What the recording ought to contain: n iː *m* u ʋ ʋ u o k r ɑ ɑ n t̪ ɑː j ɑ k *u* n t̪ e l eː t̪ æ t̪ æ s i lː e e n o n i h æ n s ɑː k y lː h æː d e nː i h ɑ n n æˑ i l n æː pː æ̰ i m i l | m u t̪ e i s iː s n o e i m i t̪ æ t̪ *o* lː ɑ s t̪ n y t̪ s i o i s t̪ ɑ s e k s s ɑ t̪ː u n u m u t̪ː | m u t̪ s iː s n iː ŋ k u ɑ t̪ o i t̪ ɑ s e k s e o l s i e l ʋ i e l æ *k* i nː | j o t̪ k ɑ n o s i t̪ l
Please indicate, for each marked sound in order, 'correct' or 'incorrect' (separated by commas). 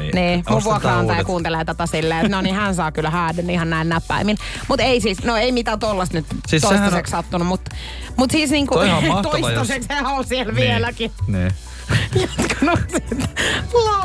correct, incorrect, correct, correct